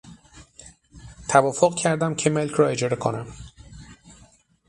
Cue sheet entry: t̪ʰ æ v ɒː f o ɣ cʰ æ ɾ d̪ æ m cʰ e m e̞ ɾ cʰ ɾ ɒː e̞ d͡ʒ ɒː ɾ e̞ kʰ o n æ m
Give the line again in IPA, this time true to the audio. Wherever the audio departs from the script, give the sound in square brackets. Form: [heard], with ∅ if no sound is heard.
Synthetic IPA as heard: t̪ʰ æ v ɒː f o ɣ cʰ æ ɾ d̪ æ m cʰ e m e̞ [l] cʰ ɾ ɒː e̞ d͡ʒ ɒː ɾ e̞ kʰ o n æ m